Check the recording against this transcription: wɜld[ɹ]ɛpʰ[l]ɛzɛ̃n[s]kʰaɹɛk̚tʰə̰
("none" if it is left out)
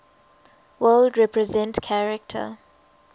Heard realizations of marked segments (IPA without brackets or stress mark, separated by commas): ɹ, ɹ, t